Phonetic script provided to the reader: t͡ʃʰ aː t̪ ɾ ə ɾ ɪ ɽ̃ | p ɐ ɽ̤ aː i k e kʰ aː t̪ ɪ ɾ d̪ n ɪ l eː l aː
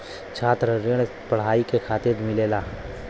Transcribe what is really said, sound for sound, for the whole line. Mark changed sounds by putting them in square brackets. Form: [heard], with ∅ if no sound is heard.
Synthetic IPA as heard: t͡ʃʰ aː t̪ ɾ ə ɾ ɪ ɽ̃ | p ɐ ɽ̤ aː i k e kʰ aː t̪ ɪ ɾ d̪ [m] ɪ l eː l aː